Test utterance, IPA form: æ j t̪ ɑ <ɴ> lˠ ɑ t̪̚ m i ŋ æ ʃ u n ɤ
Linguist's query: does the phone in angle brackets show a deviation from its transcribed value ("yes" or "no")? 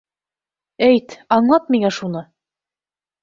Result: no